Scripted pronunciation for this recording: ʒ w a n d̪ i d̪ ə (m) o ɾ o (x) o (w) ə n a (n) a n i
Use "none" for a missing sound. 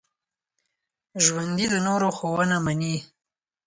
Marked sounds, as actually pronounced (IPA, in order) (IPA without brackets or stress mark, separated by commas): n, x, w, m